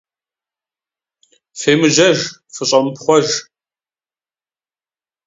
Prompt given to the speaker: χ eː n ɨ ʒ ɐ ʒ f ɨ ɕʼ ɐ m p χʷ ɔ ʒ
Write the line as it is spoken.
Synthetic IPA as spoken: f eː m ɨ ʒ ɐ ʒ f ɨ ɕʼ ɐ m p χʷ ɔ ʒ